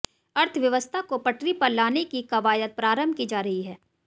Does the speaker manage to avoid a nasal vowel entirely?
yes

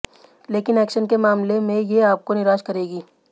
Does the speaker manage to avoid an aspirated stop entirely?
yes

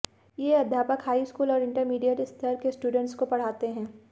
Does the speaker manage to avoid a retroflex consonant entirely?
no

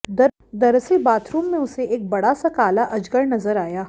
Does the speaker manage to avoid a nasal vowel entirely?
no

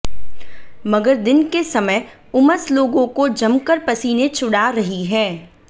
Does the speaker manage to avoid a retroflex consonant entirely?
no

